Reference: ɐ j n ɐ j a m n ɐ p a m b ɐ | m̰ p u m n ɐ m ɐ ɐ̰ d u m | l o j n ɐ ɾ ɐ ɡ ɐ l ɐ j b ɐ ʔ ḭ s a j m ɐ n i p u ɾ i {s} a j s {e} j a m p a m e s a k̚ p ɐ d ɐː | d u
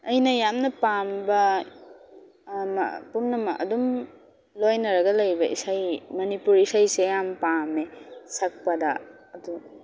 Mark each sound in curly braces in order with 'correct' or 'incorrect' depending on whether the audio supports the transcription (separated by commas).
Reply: correct, correct